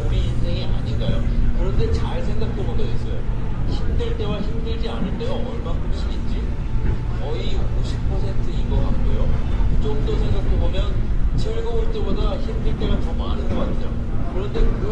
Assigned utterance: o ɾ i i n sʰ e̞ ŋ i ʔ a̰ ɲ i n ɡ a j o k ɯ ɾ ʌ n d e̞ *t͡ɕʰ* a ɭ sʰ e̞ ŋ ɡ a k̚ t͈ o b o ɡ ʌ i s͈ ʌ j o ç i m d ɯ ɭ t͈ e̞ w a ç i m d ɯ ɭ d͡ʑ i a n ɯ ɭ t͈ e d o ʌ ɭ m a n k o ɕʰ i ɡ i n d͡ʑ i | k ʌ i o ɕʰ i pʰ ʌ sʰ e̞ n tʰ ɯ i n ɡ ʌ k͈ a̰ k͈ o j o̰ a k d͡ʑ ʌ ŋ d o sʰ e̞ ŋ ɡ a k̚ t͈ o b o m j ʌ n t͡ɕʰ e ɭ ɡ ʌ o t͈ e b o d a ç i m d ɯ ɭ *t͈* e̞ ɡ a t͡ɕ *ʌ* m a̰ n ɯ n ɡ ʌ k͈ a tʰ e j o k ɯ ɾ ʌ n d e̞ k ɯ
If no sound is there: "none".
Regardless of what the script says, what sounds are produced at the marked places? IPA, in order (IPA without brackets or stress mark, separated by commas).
t͡ɕ, t͈, ʌ